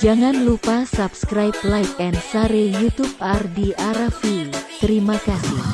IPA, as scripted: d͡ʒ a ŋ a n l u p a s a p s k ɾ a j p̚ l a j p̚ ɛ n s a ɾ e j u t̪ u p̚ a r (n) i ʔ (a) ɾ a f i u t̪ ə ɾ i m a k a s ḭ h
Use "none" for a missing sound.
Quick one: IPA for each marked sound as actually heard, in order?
d, a

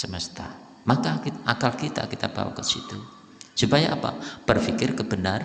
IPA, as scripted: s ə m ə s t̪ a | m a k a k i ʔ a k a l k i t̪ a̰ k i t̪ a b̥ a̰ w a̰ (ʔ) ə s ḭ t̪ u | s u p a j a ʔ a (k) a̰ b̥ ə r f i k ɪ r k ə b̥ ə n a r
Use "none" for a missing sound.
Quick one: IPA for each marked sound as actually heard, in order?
k, p

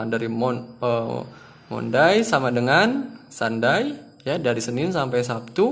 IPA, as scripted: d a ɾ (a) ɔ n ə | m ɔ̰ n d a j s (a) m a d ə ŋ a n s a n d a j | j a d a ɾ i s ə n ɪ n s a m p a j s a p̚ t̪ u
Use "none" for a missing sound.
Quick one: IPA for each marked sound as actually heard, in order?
i, a

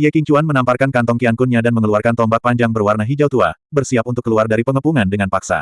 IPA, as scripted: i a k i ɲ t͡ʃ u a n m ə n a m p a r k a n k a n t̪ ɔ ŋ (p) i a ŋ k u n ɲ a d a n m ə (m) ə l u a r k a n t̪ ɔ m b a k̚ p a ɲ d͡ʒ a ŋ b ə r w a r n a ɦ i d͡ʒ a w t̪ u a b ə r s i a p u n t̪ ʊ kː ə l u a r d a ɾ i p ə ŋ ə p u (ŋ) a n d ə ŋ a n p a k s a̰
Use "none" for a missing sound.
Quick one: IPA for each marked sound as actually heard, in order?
k, ŋ, ŋ

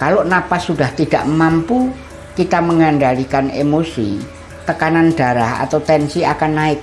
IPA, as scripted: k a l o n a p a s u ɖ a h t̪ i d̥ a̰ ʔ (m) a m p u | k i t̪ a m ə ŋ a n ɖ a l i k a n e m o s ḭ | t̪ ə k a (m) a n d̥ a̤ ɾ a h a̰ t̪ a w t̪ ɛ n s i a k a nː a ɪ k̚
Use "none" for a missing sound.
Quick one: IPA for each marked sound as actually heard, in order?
m, n

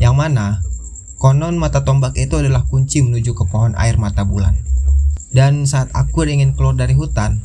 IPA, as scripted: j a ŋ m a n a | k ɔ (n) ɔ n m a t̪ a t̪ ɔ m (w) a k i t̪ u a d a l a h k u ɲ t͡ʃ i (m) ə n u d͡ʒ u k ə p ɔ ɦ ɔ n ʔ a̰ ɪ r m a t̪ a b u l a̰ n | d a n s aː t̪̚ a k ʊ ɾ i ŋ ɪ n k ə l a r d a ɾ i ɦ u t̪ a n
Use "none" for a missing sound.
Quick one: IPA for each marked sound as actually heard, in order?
n, b, m

